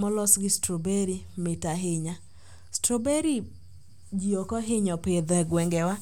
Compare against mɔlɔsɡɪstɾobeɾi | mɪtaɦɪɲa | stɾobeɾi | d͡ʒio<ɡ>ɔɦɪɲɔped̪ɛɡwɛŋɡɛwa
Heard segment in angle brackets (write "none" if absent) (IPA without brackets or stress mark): k